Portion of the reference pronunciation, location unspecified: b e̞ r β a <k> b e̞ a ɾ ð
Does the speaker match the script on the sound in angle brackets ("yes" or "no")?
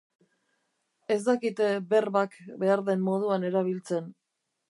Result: yes